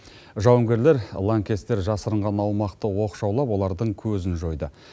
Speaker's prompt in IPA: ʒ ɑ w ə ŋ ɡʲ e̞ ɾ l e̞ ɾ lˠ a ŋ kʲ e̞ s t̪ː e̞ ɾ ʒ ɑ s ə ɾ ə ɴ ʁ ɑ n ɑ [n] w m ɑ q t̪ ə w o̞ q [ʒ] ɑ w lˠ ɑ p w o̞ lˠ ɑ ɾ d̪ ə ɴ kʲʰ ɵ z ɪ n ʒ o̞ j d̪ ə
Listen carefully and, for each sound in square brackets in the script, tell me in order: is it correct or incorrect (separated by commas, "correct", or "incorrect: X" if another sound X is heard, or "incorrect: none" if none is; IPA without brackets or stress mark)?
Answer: incorrect: none, incorrect: ʃ